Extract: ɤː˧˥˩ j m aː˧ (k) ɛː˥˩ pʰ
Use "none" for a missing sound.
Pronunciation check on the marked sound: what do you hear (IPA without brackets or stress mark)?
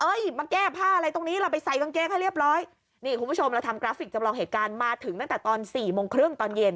k